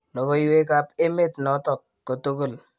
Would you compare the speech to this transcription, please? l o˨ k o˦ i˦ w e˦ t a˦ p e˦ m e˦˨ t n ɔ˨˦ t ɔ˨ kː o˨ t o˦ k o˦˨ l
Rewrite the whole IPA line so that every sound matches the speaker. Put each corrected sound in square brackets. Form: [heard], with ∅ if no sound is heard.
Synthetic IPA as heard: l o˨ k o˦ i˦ w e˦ [k] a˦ p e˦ m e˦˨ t n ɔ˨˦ t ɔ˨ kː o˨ t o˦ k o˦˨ l